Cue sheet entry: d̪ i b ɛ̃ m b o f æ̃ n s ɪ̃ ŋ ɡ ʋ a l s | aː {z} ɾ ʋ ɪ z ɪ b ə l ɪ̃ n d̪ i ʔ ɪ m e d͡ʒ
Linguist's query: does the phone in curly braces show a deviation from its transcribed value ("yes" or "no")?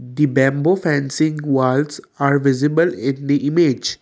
yes